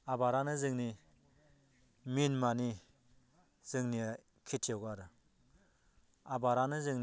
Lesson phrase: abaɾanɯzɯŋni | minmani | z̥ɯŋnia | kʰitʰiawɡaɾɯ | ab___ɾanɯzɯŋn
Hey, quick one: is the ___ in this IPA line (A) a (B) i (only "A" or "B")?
A